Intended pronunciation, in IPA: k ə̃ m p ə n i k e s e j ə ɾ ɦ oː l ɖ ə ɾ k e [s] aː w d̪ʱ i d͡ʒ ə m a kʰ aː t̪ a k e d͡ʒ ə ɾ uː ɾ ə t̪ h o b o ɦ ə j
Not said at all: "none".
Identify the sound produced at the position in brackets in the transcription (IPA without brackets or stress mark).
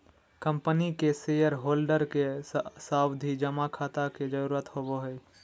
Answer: s